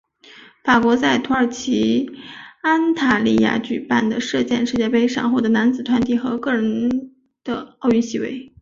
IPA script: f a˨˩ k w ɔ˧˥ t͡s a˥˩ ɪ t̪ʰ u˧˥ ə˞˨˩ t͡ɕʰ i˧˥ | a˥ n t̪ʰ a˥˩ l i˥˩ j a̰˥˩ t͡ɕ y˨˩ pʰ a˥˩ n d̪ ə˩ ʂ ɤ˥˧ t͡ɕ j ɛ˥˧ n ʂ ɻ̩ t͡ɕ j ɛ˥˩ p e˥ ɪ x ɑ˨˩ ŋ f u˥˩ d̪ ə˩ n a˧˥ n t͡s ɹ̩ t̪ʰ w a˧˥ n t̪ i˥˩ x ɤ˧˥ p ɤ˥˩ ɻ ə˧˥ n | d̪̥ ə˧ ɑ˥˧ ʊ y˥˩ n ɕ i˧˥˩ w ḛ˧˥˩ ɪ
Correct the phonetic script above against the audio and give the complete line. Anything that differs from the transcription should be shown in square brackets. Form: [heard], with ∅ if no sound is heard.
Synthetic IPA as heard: f a˨˩ k w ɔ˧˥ t͡s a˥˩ ɪ t̪ʰ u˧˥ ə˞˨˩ t͡ɕʰ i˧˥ | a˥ n t̪ʰ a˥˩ l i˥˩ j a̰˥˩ t͡ɕ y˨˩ [p] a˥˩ n d̪ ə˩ ʂ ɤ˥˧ t͡ɕ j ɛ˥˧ n ʂ ɻ̩ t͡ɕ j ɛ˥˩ p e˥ ɪ [ʂ] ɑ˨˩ ŋ [x] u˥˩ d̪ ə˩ n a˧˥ n t͡s ɹ̩ t̪ʰ w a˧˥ n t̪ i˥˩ x ɤ˧˥ [k] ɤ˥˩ ɻ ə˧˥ n | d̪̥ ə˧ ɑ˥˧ ʊ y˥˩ n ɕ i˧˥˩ w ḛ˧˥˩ ɪ